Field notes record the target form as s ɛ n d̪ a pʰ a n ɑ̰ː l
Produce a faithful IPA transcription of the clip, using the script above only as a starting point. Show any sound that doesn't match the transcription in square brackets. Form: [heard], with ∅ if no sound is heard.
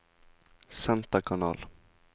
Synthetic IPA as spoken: s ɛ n [t̪] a [kʰ] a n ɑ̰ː l